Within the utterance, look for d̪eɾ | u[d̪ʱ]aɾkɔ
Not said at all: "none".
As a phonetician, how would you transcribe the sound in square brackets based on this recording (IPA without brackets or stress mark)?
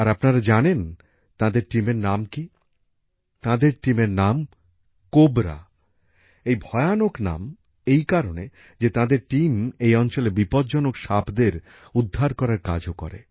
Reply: d̪ʱː